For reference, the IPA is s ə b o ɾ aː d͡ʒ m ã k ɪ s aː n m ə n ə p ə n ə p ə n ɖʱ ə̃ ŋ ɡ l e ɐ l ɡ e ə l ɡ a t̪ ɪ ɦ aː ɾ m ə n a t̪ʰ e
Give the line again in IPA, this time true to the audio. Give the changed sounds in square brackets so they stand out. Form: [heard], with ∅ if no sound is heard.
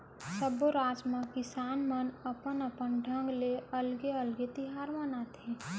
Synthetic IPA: s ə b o ɾ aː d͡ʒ m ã k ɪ s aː n m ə n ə p ə n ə p ə n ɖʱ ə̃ ŋ ɡ l e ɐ l ɡ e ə l ɡ [e] t̪ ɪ ɦ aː ɾ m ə n a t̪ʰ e